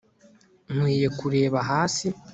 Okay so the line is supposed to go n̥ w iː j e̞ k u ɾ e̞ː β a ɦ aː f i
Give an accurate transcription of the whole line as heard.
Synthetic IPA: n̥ w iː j e̞ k u ɾ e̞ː β a ɦ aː s i